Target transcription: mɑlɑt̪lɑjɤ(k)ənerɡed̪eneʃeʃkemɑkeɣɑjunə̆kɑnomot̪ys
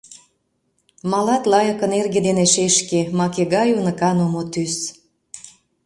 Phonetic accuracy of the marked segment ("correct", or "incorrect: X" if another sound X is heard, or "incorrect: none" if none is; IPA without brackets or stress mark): correct